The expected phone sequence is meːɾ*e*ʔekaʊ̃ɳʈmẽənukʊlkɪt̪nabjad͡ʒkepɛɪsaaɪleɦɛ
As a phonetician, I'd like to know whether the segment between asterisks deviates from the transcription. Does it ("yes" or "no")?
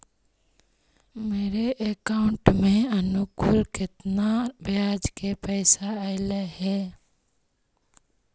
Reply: no